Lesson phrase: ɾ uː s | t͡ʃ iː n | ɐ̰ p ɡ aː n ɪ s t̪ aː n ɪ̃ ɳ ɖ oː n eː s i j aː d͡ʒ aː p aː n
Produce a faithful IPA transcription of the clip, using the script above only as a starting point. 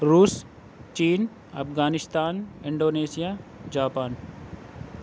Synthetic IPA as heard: ɾ uː s | t͡ʃ iː n | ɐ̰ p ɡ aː n ɪ s t̪ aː n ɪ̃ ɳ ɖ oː n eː s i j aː d͡ʒ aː p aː n